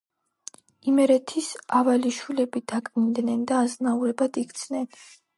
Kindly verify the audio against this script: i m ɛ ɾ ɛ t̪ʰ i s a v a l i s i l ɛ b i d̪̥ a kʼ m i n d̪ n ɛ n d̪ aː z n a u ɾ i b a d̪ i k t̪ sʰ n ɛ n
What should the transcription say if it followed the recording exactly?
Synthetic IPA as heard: i m ɛ ɾ ɛ t̪ʰ i s a v a l i ʃ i l ɛ b i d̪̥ a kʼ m i n d̪ n ɛ n d̪ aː z n a u ɾ ɛ b a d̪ i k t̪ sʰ n ɛ n